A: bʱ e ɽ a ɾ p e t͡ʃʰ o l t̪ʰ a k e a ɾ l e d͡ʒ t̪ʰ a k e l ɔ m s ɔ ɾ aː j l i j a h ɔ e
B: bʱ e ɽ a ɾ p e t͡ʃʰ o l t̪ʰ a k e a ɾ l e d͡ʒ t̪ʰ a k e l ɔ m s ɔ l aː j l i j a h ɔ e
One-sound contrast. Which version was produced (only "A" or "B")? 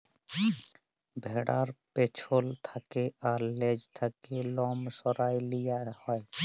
A